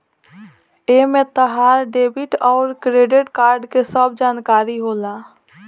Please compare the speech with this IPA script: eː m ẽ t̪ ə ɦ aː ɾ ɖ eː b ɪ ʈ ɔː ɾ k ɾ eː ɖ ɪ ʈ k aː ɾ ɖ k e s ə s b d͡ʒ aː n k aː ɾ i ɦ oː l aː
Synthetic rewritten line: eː m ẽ t̪ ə ɦ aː ɾ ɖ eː b ɪ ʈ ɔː ɾ k ɾ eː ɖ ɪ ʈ k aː ɾ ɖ k e s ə b d͡ʒ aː n k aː ɾ i ɦ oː l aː